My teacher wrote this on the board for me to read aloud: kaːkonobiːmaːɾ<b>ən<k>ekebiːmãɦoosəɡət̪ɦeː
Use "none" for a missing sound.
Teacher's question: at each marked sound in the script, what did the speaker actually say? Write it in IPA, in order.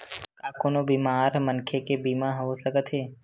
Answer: m, kʰ

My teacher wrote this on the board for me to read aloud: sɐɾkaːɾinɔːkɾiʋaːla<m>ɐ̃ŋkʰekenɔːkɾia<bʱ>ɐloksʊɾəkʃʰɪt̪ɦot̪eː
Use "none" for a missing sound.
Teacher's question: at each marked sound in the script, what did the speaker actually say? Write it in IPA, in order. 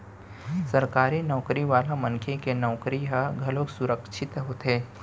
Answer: m, ɡʱ

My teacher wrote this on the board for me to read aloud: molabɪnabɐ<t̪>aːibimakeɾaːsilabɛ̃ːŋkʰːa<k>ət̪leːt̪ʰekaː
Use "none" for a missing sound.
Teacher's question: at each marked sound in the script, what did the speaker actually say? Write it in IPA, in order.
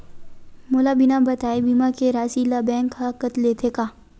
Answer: t̪, k

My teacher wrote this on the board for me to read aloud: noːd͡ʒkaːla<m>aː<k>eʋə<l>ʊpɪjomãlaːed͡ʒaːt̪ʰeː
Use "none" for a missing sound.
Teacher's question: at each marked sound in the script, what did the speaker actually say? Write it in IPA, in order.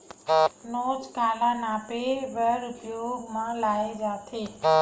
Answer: n, p, ɾ

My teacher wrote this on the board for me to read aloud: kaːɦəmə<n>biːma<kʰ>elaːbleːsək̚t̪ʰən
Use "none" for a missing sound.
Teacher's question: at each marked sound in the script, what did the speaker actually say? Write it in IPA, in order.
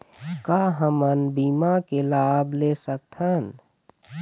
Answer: n, k

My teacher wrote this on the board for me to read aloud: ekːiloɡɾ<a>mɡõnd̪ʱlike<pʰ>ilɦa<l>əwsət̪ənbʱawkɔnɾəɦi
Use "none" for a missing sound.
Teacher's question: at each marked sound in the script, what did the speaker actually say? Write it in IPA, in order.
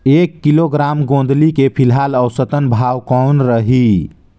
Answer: a, pʰ, l

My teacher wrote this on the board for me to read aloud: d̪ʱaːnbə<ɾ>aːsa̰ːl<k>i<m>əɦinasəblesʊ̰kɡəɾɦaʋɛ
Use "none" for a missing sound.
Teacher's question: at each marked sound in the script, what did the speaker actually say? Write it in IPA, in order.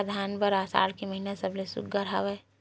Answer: ɾ, k, m

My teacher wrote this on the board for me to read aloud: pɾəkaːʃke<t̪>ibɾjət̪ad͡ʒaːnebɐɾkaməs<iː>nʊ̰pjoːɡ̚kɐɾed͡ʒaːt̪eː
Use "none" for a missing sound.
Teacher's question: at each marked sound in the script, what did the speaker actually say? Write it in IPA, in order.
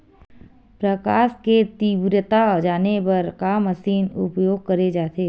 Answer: t̪, iː

